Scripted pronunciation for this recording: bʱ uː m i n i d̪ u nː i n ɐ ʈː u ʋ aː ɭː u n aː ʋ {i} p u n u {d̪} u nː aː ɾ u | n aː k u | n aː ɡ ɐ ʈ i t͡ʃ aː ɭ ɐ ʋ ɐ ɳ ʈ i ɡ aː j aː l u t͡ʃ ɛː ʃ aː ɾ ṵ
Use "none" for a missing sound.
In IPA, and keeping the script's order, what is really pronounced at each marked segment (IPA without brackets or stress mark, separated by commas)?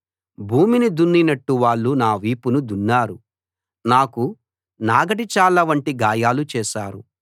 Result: iː, d̪